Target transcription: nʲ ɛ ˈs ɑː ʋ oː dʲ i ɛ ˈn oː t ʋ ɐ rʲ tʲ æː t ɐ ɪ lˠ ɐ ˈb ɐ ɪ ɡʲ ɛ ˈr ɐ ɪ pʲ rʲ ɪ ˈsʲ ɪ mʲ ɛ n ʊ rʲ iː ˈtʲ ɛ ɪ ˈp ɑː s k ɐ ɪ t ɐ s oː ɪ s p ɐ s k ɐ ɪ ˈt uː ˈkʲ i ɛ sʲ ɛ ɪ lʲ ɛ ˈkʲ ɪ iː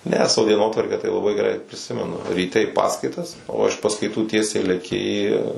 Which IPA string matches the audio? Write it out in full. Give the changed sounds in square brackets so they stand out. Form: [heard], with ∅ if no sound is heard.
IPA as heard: nʲ ɛ ˈs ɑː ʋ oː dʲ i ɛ ˈn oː t ʋ ɐ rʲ [kʲ] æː t ɐ ɪ lˠ ɐ ˈb ɐ ɪ ɡʲ ɛ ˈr ɐ ɪ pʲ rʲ ɪ ˈsʲ ɪ mʲ ɛ n ʊ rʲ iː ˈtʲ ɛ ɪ ˈp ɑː s k ɐ ɪ t ɐ s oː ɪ [ʃ] p ɐ s k ɐ ɪ ˈt uː [ˈtʲ] i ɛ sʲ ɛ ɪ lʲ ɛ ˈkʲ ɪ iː

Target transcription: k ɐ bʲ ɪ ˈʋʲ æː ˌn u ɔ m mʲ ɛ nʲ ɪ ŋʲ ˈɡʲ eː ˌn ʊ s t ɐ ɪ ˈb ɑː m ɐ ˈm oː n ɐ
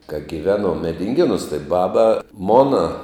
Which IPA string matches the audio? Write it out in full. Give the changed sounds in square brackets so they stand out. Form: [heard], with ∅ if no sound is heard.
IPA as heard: k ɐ [ɡʲ] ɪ ˈʋʲ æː ˌn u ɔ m mʲ ɛ [dʲ] ɪ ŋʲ ˈɡʲ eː ˌn ʊ s t ɐ ɪ ˈb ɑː [b] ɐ ˈm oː n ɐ

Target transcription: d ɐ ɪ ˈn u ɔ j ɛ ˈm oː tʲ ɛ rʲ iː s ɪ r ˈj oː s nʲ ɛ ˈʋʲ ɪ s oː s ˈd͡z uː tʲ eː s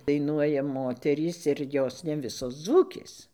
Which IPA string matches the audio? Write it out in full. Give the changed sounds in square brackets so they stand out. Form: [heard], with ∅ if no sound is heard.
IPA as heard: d ɐ ɪ ˈn u ɔ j ɛ ˈm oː tʲ ɛ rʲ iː s ɪ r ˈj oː s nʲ ɛ ˈʋʲ ɪ s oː s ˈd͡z uː [kʲ] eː s

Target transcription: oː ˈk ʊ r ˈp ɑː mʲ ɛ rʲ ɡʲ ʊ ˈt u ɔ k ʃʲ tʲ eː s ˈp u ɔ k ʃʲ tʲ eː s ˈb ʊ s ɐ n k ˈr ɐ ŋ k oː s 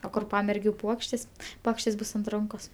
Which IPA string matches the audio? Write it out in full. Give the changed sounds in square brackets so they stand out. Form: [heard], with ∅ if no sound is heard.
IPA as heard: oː ˈk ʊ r ˈp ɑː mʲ ɛ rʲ ɡʲ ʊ [ˈp] u ɔ k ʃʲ tʲ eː s ˈp u ɔ k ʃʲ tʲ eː s ˈb ʊ s ɐ n [t] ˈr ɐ ŋ k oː s

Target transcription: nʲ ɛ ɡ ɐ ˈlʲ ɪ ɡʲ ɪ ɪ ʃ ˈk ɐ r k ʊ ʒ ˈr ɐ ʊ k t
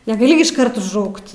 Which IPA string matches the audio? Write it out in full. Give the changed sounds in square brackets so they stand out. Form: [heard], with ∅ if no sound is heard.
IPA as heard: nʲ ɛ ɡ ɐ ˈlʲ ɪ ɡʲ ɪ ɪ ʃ ˈk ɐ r [t] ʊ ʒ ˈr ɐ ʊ k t

